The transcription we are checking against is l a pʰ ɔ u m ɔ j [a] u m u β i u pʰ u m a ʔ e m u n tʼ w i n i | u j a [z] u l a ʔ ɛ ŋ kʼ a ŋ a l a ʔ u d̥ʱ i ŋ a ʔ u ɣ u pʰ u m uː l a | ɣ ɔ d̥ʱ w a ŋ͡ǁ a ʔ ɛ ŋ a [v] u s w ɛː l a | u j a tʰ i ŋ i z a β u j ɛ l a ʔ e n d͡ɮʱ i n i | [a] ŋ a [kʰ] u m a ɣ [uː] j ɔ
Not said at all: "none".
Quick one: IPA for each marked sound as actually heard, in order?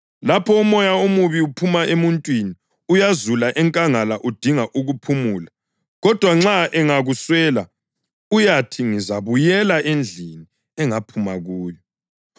a, z, ɣ, ɛ, pʰ, uː

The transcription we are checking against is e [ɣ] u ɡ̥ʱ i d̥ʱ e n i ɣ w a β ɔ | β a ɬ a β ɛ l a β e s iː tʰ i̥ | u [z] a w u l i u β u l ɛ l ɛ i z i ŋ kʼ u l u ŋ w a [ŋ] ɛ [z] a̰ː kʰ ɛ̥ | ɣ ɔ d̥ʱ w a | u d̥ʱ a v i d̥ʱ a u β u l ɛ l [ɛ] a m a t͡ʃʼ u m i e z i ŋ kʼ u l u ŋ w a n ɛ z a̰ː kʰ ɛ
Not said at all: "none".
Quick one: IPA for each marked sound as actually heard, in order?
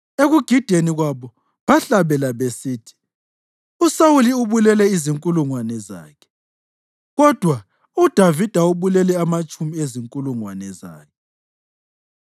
ɣ, s, n, z, ɛ

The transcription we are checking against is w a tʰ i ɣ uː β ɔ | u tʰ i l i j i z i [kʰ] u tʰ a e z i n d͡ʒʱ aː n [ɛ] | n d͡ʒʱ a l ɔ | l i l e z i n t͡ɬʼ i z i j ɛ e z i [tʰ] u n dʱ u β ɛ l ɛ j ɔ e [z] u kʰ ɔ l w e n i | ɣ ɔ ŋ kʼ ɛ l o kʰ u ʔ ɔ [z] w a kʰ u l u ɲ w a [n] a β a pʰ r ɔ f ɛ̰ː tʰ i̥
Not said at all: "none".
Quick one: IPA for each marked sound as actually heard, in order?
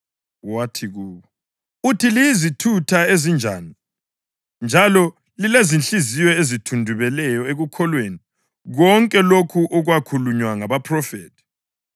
tʰ, i, tʰ, ɣ, ɣ, ŋ

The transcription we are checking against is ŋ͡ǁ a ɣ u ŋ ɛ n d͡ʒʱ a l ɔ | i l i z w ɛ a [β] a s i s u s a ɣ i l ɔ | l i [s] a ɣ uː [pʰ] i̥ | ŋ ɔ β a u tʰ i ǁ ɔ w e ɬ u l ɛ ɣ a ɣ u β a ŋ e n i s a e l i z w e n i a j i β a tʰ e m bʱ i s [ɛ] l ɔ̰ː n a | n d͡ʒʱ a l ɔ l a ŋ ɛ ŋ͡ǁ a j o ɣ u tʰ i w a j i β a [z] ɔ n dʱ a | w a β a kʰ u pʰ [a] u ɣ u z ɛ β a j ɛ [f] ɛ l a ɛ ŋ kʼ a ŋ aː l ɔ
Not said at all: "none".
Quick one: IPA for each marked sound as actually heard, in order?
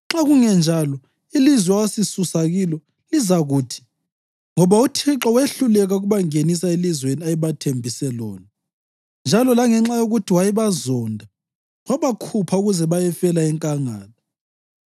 w, z, tʰ, ɛ, z, a, f

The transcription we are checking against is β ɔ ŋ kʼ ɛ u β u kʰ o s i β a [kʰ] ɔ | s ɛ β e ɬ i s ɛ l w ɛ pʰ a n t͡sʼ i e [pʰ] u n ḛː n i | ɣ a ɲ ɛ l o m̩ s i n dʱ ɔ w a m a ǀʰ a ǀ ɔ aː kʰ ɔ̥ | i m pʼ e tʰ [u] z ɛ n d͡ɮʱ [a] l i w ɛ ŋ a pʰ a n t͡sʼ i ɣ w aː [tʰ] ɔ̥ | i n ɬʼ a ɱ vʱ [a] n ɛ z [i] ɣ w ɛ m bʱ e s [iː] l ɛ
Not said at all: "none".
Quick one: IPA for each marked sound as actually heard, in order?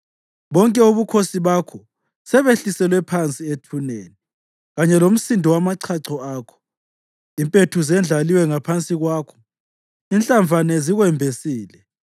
kʰ, tʰ, u, a, kʰ, a, i, iː

